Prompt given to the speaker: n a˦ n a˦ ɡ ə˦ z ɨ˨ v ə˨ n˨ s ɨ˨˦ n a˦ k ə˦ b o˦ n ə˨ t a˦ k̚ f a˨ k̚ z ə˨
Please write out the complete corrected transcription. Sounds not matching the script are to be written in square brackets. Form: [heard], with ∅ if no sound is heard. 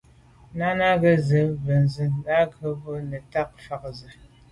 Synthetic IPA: n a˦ n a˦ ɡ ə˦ z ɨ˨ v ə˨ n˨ [z] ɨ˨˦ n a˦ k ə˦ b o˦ n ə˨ t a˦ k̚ f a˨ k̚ z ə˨